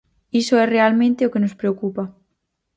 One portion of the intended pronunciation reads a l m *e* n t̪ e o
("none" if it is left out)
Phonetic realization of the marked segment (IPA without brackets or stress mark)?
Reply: ẽ